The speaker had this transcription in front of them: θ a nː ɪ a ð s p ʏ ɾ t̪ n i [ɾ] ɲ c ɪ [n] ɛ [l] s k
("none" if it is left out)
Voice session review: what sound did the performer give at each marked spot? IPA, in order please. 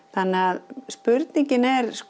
none, n, ɾ

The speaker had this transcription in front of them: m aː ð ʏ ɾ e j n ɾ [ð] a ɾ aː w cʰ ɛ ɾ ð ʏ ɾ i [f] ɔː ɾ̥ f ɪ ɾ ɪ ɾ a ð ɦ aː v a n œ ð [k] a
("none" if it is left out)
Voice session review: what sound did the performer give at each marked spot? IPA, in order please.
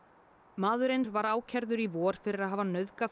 v, v, k

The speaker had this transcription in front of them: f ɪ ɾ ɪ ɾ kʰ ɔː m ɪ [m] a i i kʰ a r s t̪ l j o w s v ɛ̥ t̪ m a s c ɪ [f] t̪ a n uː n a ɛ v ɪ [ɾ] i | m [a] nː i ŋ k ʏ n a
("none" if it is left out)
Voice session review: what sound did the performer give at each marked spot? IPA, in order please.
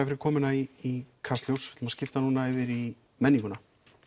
n, f, ɾ, ɛ

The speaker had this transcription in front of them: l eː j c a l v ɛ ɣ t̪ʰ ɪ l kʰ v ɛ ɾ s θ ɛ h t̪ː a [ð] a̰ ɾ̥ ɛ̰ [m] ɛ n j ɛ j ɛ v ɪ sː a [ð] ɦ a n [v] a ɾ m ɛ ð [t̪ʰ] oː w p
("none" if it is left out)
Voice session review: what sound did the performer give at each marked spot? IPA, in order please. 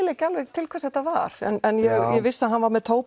v, n, ð, v, t̪ʰ

